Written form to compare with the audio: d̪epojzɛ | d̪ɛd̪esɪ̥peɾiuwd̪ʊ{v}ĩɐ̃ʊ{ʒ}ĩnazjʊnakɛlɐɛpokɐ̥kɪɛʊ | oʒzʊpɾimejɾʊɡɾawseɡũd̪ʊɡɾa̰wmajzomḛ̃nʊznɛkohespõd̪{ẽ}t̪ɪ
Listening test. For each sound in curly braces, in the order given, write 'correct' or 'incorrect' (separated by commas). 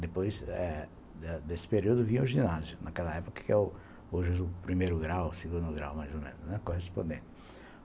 correct, correct, correct